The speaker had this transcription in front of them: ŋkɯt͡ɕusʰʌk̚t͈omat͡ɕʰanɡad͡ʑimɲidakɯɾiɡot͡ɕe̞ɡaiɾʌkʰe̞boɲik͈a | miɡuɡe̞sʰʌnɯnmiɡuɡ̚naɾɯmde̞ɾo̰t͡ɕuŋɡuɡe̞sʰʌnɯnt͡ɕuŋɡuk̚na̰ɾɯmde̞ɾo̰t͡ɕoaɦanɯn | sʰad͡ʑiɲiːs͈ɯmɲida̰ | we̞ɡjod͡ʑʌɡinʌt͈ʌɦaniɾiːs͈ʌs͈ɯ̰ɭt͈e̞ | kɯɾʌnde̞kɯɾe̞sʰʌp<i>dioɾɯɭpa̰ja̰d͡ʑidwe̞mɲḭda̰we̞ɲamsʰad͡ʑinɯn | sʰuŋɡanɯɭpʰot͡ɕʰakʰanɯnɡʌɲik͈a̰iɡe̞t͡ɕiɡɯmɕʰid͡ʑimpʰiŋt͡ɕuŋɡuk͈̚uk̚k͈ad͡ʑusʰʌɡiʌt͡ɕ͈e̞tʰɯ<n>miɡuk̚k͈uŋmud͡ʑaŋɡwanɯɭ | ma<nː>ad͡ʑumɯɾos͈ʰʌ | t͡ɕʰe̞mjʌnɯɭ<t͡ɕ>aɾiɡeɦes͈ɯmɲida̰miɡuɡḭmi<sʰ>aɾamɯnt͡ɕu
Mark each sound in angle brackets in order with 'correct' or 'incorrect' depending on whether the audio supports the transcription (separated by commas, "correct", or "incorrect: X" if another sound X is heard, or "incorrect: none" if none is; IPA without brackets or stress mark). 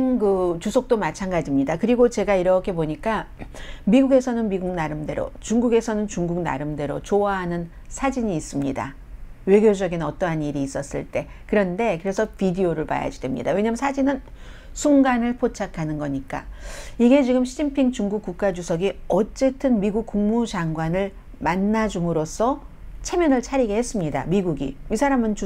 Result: correct, correct, correct, incorrect: t͡ɕʰ, correct